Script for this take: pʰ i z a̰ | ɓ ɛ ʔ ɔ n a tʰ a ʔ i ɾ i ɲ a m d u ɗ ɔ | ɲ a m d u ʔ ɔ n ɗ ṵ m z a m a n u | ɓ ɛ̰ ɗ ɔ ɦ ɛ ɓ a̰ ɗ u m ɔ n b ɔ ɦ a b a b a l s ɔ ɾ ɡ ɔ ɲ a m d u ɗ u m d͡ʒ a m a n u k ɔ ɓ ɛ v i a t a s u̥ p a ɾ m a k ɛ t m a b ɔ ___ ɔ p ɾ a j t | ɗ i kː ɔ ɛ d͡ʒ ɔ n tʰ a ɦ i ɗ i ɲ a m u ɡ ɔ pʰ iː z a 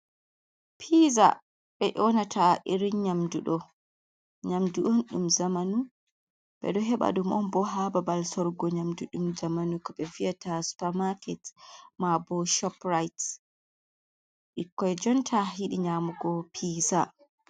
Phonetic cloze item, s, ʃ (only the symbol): ʃ